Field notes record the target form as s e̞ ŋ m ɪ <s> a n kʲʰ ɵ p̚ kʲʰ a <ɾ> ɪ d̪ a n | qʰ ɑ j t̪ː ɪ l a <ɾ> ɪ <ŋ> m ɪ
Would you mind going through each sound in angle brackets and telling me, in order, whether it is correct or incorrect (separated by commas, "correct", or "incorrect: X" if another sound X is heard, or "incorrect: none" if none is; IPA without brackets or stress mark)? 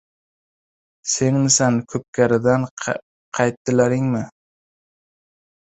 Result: correct, correct, correct, correct